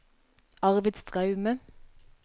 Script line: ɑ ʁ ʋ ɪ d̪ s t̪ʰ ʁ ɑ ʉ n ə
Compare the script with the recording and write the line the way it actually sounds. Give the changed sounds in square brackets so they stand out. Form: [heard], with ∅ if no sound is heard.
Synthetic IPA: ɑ ʁ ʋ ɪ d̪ s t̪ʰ ʁ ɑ ʉ [m] ə

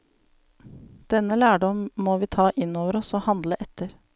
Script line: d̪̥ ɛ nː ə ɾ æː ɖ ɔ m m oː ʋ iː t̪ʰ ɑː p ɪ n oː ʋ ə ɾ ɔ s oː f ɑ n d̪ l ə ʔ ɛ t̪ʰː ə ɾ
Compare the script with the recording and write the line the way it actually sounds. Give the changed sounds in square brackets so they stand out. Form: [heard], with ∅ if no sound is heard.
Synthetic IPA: d̪̥ ɛ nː ə [l] æː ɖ ɔ m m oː ʋ iː t̪ʰ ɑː [ʔ] ɪ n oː ʋ ə ɾ ɔ s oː [h] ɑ n d̪ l ə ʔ ɛ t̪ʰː ə ɾ

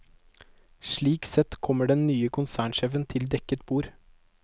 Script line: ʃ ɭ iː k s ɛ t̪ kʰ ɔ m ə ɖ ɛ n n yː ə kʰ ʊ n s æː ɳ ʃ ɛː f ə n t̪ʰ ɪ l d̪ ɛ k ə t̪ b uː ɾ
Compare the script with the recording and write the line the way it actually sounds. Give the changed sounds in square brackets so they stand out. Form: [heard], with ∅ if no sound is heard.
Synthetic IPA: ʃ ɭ iː k s ɛ t̪ kʰ ɔ m ə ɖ ɛ n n yː ə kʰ ʊ n s æː ɳ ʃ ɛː f ə n t̪ʰ ɪ l d̪ ɛ k ə t̪ b uː ɾ

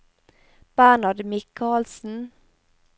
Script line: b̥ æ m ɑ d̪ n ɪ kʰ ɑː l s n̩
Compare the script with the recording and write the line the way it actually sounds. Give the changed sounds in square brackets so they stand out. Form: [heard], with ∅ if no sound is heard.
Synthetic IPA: b̥ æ [n] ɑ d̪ [m] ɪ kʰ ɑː l s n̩

